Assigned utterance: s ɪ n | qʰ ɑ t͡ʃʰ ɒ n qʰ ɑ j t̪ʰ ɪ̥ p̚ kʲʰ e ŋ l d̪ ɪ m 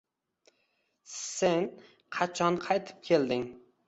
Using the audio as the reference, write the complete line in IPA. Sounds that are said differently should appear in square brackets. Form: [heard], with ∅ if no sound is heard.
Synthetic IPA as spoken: s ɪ n | qʰ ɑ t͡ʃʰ ɒ n qʰ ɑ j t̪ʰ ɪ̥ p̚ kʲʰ e [∅] l d̪ ɪ [ŋ]